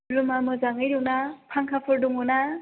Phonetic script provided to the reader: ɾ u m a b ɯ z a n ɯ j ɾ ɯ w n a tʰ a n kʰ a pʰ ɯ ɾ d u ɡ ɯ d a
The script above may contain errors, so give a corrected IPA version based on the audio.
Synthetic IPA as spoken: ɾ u m a m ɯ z a ŋ ɯ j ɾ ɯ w n a pʰ a ŋ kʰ a pʰ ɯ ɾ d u ŋ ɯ n a

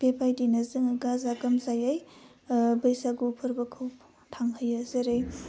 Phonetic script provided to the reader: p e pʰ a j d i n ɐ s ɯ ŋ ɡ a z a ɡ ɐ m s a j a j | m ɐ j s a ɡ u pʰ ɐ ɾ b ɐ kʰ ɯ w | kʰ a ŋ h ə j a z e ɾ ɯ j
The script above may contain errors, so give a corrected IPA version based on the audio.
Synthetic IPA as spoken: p e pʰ a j d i n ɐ z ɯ ŋ ɡ a z a ɡ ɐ m z a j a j | b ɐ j s a ɡ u pʰ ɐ ɾ b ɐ kʰ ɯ w | tʰ a ŋ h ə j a z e ɾ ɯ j

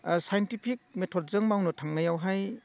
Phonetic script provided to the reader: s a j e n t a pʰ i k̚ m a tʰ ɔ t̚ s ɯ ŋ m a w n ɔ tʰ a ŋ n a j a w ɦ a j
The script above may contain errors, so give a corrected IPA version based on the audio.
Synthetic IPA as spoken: s a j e n t i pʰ i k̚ m e tʰ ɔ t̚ z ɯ ŋ m a w n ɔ tʰ a ŋ n a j a w ɦ a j

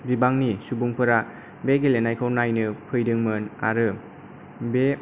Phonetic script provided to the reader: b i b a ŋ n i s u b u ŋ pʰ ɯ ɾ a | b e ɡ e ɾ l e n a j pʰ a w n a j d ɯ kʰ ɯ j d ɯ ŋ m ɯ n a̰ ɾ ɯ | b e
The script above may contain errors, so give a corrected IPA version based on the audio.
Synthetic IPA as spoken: b i b a ŋ n i s u b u ŋ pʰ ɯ ɾ a | b e ɡ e l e n a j kʰ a w n a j n ɯ pʰ ɯ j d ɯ ŋ m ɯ n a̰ ɾ ɯ | b e

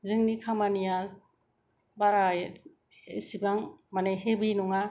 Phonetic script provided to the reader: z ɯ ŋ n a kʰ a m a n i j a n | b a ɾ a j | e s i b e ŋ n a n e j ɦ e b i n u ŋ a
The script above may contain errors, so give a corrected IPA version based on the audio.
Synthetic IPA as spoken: z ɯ ŋ n i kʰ a m a n i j a | b a ɾ a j | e s i b a ŋ m a n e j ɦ e b i n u ŋ a

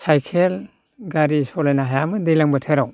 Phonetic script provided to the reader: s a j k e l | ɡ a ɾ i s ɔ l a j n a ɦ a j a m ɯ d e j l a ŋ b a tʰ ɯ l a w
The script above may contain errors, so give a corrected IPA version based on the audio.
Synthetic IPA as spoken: s a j kʰ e l | ɡ a ɾ i s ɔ l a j n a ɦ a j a m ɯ d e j l a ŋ b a tʰ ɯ ɾ a w

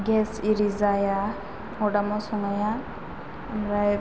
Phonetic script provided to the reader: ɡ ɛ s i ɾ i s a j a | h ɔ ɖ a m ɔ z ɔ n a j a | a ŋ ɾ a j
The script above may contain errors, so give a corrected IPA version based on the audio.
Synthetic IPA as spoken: ɡ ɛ s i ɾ i z a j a | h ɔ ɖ a m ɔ s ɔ ŋ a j a | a m ɾ a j

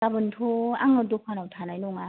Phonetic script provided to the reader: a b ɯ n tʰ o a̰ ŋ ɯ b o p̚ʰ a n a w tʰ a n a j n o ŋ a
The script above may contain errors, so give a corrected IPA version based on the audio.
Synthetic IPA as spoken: a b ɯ n tʰ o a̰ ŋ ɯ d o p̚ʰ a n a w tʰ a n a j n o ŋ a

